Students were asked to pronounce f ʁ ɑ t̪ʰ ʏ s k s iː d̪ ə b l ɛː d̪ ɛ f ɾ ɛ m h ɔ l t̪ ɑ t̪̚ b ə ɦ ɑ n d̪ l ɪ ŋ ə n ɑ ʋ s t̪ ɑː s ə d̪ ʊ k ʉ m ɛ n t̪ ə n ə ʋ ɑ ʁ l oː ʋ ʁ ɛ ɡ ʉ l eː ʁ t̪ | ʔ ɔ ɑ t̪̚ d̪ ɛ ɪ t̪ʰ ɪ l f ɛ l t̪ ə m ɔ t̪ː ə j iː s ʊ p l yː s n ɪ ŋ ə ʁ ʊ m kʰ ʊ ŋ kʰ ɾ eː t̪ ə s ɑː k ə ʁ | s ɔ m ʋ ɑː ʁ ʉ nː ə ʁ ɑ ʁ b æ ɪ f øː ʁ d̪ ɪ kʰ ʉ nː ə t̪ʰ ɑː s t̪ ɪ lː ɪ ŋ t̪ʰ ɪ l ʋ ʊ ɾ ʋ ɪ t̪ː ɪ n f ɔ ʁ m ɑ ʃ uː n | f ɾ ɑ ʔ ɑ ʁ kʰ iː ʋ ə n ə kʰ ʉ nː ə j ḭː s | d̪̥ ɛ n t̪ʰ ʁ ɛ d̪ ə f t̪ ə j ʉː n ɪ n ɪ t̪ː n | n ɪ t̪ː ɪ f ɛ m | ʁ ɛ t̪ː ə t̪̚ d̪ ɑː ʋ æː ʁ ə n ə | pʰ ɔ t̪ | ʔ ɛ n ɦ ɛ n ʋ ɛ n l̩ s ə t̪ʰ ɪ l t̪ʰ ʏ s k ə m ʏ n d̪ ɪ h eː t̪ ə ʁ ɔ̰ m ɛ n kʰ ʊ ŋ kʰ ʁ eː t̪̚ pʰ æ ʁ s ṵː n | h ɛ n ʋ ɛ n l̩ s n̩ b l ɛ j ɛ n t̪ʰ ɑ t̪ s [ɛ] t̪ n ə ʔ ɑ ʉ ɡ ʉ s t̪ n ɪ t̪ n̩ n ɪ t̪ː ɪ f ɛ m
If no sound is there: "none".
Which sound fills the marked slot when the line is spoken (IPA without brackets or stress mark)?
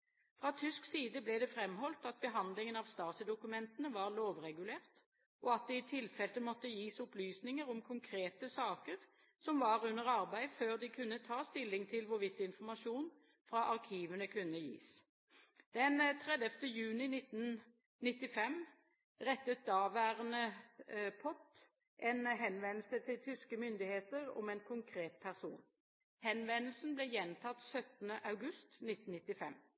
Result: œ